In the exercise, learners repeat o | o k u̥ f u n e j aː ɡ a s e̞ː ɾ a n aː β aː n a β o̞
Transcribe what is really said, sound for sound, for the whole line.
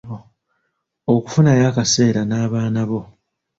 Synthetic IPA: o | o k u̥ f u n a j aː k a s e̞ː ɾ a n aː β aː n a β o̞